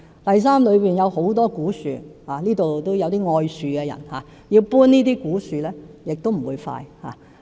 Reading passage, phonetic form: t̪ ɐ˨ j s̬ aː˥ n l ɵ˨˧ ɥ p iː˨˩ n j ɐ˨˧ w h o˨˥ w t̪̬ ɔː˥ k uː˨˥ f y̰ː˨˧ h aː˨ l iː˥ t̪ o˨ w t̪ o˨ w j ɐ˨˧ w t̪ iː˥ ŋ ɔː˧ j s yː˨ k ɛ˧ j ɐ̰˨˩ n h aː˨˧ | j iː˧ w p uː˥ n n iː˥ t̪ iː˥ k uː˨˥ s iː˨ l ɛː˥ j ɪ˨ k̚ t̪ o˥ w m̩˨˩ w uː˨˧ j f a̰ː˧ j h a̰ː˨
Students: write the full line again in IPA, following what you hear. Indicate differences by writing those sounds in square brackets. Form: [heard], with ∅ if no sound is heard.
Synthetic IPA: t̪ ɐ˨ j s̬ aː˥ [m] l ɵ˨˧ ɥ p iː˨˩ n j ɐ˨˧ w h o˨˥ w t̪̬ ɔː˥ k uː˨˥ [s] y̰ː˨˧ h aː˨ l iː˥ t̪ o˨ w t̪ [o˥] w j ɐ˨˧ w t̪ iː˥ ŋ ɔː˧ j s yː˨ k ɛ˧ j ɐ̰˨˩ n h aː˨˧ | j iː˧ w p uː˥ n n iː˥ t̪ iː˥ k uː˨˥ s [yː˨] l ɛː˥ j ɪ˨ k̚ t̪ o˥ w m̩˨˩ w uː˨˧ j f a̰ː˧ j h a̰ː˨

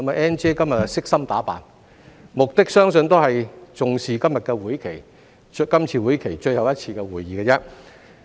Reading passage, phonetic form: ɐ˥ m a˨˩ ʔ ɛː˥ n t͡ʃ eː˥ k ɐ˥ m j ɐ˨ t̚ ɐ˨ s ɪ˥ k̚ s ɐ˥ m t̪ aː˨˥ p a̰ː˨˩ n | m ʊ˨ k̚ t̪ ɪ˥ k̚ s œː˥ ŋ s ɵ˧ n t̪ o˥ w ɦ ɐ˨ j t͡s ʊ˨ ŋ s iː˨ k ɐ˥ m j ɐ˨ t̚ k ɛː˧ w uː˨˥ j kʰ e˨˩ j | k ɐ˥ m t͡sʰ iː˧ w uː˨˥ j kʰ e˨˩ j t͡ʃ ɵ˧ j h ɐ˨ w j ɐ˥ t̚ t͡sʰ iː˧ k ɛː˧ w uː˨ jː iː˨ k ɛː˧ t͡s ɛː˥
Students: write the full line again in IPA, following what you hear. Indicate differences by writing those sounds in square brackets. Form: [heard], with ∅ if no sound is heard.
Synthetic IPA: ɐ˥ m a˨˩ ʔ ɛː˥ n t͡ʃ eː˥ k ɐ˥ m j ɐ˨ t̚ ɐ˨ s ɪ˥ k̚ s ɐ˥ m t̪ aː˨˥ p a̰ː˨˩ n | m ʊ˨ k̚ t̪ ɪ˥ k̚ s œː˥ ŋ s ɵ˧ n t̪ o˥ w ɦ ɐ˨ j t͡s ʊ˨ ŋ s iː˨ k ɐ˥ m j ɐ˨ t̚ k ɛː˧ w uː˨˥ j kʰ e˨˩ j | k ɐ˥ m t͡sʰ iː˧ w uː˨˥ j kʰ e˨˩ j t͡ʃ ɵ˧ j h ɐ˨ w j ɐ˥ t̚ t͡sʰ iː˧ k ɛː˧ w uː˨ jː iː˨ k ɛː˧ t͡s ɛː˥

